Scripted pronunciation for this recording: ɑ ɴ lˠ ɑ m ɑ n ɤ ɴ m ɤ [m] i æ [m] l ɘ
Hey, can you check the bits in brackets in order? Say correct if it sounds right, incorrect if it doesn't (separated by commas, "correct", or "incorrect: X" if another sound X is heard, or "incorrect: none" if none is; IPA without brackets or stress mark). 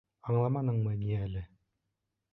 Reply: incorrect: n, incorrect: none